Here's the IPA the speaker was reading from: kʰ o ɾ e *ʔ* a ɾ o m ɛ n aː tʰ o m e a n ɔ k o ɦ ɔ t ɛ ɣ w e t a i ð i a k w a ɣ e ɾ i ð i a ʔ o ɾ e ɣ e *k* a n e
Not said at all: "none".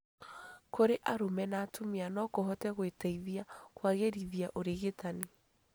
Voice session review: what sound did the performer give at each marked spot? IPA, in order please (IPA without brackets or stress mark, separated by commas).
ʔ, t